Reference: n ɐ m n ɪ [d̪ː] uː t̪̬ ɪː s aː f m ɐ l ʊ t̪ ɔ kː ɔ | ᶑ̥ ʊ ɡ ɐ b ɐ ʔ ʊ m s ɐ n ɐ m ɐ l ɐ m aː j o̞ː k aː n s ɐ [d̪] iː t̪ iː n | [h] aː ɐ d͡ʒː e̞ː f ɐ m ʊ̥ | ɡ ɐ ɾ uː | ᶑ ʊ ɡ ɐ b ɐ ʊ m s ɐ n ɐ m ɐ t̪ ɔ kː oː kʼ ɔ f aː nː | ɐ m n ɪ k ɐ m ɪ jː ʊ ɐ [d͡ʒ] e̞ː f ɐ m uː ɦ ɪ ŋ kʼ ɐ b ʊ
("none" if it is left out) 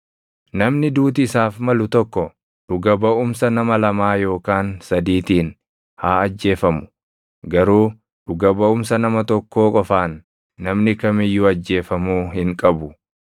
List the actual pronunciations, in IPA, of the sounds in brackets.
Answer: d̪, d̪, h, d͡ʒː

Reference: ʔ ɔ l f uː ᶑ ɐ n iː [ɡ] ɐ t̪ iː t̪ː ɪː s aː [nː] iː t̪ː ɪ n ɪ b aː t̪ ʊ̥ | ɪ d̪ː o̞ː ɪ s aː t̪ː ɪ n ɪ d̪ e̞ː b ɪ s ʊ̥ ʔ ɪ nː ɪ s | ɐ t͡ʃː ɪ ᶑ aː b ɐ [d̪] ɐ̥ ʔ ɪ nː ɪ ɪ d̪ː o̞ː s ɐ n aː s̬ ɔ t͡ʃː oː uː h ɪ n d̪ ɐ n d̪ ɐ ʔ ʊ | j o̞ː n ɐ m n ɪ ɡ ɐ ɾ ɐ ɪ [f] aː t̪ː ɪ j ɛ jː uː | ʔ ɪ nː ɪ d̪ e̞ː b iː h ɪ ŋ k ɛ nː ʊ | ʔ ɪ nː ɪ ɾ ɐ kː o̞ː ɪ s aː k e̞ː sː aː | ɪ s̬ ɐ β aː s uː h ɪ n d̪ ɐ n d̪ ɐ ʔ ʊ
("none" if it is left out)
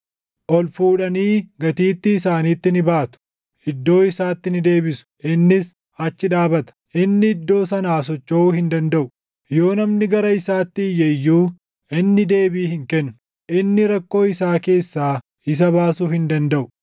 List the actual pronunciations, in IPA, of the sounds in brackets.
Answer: ɡ, n, t̪, s

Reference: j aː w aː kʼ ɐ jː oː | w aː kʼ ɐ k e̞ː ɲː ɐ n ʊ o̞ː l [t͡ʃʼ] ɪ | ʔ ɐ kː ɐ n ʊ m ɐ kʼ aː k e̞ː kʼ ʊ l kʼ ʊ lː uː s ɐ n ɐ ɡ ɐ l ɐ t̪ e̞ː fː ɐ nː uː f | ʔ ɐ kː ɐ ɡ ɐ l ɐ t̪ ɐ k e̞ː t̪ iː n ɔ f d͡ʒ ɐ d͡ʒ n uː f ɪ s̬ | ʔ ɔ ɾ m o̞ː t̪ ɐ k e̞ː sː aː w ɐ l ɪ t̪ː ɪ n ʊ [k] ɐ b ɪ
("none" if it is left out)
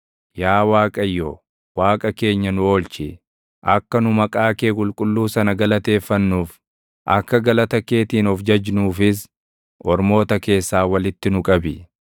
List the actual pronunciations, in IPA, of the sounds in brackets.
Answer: t͡ʃ, kʼ

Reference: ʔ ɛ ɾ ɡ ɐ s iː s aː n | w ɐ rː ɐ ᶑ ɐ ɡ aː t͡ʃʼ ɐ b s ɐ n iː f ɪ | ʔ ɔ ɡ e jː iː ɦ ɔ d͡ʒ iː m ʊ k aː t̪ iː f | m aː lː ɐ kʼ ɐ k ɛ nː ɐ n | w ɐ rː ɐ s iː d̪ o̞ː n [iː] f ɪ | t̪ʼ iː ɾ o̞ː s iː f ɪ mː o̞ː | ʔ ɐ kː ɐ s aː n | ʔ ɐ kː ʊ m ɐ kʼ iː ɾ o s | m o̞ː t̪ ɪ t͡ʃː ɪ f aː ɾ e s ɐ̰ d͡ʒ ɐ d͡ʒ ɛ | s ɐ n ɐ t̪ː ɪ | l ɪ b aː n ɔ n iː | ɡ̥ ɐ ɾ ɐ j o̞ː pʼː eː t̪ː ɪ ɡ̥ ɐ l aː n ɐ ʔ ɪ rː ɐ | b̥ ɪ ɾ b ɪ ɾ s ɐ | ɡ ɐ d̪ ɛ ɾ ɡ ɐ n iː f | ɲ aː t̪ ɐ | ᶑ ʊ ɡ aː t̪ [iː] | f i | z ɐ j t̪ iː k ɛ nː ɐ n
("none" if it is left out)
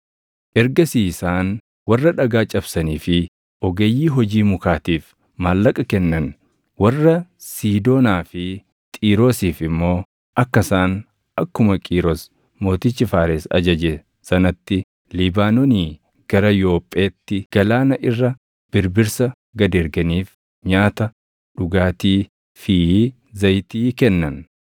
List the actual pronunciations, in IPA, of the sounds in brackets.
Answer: aː, iː

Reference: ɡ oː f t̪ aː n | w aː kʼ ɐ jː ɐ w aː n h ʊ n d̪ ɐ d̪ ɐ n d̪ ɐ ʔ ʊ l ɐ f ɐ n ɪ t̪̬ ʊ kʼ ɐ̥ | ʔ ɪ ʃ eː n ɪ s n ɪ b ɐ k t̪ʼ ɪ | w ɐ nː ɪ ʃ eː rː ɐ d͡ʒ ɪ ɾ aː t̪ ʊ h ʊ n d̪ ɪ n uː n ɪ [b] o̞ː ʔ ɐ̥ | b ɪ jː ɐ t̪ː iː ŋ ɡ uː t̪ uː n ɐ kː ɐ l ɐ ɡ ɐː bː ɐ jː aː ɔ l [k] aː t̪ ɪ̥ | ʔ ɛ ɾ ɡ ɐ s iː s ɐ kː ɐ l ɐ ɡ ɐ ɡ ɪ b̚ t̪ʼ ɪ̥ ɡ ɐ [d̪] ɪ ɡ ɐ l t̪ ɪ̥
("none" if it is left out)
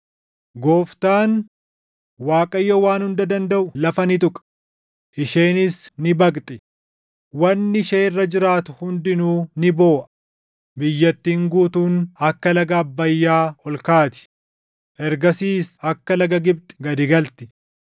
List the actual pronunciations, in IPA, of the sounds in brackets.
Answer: b, k, d̪

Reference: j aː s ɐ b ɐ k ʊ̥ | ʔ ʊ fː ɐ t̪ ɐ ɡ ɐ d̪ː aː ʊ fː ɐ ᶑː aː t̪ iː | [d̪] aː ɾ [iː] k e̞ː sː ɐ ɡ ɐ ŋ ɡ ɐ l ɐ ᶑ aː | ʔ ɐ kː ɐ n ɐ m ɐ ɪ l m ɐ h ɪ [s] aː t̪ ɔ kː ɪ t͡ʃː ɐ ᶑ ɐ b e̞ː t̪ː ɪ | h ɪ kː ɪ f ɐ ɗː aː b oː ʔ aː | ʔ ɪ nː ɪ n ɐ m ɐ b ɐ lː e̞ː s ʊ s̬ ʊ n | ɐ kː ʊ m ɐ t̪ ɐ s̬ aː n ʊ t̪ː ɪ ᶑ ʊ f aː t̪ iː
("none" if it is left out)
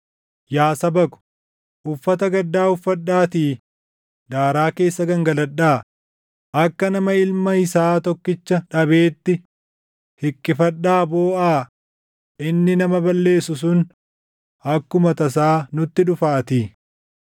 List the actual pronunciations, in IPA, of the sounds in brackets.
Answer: d̪, aː, s

